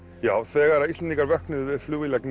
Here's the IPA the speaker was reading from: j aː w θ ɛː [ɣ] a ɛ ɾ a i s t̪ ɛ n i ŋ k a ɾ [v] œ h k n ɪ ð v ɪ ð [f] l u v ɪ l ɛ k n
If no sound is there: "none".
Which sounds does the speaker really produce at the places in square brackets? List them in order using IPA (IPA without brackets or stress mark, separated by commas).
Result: ɣ, v, f